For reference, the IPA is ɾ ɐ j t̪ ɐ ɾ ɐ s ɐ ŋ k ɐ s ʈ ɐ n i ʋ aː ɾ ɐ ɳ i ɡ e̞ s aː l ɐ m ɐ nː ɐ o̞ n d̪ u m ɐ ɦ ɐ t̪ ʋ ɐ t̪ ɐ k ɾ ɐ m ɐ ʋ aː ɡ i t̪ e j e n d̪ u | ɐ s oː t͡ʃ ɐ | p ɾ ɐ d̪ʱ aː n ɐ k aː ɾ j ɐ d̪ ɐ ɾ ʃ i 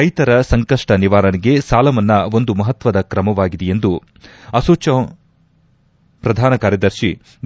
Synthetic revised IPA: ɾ ɐ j t̪ ɐ ɾ ɐ s ɐ ŋ k ɐ ʂ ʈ ɐ n i ʋ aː ɾ ɐ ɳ i ɡ e̞ s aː l ɐ m ɐ nː ɐ o̞ n d̪ u m ɐ ɦ ɐ t̪ ʋ ɐ d̪ ɐ k ɾ ɐ m ɐ ʋ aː ɡ i d̪ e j e n d̪ u | ɐ s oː t͡ʃ ɐ | p ɾ ɐ d̪ʱ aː n ɐ k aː ɾ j ɐ d̪ ɐ ɾ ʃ i